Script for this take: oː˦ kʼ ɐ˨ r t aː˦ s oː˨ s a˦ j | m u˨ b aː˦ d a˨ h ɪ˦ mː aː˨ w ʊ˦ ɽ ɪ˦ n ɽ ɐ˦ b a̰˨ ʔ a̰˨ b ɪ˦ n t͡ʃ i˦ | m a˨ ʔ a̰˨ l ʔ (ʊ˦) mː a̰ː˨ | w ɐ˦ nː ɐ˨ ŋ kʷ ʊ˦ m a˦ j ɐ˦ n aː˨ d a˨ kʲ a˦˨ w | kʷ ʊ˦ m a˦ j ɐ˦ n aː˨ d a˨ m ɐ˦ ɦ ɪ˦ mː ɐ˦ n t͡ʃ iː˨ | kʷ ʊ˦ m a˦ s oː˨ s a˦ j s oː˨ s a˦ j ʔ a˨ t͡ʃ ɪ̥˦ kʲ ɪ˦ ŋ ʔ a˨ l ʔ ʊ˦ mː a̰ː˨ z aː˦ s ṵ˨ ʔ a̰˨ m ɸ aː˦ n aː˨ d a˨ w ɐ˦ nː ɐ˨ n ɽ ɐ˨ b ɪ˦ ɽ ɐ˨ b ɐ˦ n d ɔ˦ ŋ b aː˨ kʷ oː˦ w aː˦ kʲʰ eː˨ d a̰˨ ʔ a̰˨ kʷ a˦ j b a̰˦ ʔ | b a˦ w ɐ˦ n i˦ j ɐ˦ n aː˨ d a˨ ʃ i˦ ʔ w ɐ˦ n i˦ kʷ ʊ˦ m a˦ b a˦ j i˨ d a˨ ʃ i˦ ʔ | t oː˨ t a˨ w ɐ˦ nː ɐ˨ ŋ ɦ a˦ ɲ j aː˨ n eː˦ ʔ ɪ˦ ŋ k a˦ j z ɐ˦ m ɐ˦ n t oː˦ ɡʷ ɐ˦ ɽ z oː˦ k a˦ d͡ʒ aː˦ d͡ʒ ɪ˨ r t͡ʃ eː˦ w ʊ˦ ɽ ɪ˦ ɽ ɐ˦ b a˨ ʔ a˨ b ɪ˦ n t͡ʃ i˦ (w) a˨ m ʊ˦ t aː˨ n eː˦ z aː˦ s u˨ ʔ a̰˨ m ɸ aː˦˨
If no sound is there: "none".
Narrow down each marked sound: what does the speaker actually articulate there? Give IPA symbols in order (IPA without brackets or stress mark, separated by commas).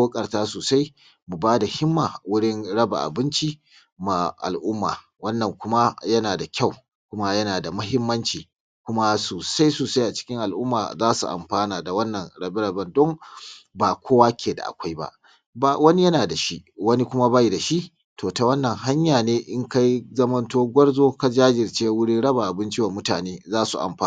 ʊ˦, w